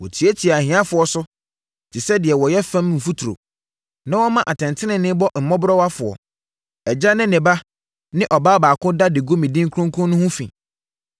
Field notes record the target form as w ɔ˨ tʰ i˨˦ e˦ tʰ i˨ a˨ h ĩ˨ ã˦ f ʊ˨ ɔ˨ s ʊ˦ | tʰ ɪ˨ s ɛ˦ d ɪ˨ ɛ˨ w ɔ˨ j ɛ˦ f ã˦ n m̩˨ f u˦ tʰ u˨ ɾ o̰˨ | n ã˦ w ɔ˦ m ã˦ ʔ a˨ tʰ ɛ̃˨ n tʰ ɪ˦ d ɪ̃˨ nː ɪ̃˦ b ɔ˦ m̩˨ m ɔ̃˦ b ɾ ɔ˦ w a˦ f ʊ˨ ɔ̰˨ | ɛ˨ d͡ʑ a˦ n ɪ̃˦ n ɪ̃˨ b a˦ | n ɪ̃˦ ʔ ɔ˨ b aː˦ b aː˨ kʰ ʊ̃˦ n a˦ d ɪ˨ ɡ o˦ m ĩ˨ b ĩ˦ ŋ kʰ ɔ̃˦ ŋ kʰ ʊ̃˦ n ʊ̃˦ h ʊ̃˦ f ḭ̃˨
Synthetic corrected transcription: w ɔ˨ tʰ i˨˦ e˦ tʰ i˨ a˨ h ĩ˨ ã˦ f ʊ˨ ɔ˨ s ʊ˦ | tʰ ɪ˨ s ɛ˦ d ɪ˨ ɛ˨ w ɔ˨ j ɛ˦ f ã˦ m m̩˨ f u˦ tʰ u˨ ɾ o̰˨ | n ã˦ w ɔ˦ m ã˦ ʔ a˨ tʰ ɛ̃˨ n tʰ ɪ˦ n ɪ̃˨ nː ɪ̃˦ b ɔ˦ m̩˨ m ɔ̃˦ b ɾ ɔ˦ w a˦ f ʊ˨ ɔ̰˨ | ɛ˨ d͡ʑ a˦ n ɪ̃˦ n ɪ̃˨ b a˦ | n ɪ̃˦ ʔ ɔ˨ b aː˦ b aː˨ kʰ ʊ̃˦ d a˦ d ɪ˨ ɡ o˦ m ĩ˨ d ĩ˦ ŋ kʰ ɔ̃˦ ŋ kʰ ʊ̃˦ n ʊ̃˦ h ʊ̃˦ f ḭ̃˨